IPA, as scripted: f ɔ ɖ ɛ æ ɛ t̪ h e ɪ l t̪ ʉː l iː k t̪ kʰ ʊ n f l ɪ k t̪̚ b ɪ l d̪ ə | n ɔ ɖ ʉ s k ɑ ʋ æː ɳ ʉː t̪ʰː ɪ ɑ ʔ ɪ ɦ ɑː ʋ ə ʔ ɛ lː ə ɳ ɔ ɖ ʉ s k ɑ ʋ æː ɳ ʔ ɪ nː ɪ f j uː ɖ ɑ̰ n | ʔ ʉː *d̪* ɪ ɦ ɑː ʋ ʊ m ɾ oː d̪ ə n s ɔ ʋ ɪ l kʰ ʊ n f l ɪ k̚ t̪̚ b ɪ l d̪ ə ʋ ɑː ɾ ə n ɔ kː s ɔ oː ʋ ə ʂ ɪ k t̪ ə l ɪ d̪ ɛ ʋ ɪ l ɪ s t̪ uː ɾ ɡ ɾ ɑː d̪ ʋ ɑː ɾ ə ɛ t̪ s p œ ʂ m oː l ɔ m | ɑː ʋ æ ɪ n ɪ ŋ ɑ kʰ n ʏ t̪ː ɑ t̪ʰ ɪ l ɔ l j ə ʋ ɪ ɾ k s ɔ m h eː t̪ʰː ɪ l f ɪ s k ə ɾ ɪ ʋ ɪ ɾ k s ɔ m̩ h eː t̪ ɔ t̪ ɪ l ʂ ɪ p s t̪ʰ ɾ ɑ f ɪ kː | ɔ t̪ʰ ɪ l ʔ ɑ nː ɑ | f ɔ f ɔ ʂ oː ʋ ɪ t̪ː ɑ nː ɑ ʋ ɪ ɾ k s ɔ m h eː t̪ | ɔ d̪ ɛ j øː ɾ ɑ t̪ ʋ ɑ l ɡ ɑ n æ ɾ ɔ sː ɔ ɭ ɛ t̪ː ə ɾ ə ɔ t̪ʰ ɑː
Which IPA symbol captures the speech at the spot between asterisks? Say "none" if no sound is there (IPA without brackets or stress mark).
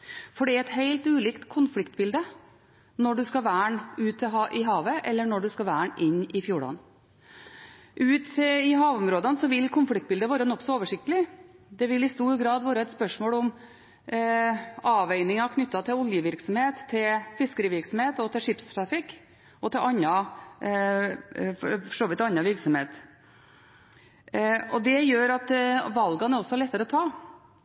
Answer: t̪